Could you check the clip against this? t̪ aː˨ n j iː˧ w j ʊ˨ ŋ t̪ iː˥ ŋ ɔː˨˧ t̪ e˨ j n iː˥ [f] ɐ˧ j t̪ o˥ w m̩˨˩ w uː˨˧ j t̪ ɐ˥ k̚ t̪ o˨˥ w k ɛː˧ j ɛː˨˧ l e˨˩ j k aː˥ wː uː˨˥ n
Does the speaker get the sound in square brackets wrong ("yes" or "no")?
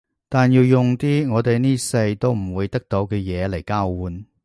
yes